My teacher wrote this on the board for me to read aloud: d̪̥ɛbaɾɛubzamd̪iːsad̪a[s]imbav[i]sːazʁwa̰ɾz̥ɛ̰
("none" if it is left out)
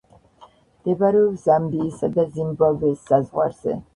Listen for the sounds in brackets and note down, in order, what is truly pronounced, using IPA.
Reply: z, ɛ

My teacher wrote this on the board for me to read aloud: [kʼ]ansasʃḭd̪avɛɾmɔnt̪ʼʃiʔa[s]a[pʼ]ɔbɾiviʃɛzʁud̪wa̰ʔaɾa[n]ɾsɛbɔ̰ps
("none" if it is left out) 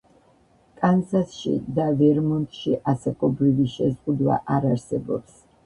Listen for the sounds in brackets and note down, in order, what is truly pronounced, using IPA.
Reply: kʼ, s, kʼ, none

